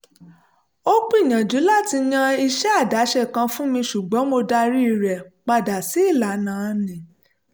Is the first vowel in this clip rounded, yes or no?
yes